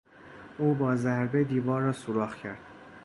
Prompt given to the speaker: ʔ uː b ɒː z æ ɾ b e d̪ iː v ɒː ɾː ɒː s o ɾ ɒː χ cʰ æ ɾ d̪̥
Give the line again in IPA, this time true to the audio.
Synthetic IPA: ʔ uː b ɒː z æ ɾ b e d̪ iː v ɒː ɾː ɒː s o ɾ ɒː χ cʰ æ ɾ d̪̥